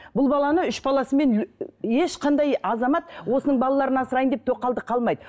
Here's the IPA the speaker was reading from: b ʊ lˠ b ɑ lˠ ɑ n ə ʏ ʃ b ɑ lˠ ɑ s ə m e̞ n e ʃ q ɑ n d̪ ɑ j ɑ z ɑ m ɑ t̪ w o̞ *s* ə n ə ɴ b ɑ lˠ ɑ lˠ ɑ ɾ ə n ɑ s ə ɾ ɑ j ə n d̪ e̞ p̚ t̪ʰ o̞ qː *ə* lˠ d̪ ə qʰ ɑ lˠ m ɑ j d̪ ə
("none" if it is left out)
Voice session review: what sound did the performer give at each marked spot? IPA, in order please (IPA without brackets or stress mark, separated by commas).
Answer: s, ɑ